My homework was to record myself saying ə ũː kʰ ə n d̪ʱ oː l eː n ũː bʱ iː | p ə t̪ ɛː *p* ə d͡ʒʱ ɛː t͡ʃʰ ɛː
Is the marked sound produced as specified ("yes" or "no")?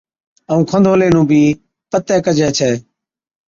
no